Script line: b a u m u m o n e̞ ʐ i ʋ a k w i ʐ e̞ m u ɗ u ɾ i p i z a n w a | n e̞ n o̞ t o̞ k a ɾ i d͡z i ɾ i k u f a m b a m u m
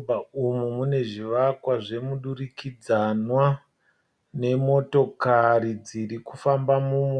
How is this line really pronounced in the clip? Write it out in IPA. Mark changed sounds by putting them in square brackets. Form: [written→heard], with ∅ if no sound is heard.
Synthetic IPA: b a u m u m [o→u] n e̞ ʐ i ʋ a k w [i→a] ʐ e̞ m u ɗ u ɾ i [p→k] i [z→d͡z] a n w a | n e̞ [n→m] o̞ t o̞ k a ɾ i d͡z i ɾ i k u f a m b a m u m